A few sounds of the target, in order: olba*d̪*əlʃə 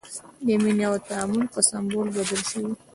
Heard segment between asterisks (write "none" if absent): d̪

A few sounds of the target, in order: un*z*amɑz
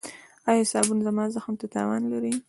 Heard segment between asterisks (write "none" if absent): z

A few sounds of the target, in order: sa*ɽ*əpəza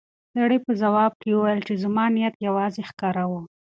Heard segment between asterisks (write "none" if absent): ɽ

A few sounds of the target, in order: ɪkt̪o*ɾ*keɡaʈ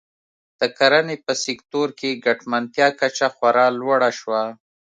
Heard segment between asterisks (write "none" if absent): ɾ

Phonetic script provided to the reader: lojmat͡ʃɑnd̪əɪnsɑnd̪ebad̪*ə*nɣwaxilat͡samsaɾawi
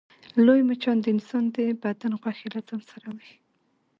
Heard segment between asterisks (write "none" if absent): a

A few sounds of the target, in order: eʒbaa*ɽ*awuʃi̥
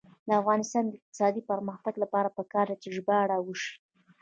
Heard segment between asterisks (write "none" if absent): ɽ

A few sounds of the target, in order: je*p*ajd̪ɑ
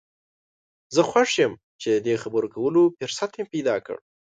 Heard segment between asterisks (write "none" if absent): p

